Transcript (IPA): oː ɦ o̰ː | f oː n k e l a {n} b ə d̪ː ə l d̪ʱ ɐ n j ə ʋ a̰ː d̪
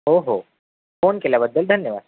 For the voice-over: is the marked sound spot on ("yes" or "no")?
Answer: no